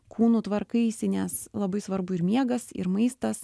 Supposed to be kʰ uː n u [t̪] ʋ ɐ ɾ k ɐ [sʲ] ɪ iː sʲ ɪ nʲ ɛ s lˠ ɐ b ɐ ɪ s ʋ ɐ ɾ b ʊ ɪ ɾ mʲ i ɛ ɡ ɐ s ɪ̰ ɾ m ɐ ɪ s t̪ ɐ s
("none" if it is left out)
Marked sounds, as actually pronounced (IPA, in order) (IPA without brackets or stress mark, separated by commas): t̪, none